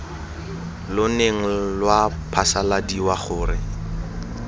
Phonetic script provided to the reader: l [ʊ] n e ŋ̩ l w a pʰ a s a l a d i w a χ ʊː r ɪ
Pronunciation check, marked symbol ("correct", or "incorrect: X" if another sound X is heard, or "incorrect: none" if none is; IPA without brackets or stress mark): correct